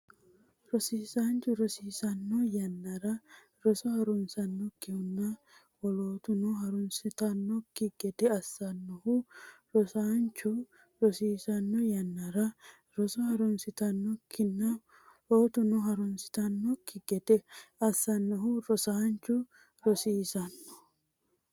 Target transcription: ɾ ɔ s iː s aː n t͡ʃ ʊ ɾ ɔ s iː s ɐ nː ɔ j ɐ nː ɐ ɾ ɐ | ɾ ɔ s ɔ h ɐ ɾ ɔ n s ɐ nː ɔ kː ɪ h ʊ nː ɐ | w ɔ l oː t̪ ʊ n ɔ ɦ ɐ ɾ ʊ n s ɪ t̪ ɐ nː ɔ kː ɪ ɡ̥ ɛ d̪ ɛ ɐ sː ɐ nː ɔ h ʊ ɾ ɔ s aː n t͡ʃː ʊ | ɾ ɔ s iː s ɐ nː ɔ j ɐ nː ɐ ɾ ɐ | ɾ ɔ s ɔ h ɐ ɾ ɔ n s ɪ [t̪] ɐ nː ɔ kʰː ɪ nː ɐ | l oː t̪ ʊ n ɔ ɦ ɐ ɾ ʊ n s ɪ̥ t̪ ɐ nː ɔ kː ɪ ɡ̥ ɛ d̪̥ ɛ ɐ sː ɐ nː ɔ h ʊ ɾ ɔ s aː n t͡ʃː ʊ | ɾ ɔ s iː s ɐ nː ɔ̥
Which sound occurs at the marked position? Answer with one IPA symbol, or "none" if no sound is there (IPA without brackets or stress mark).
t̪